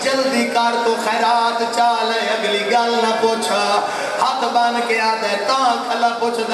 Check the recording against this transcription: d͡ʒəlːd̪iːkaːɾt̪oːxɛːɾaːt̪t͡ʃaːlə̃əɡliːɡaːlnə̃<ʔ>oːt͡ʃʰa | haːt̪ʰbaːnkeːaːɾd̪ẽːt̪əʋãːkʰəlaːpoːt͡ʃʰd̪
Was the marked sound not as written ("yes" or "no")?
yes